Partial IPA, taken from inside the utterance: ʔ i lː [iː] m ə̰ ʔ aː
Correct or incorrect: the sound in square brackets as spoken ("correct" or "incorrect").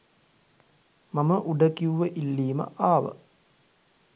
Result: correct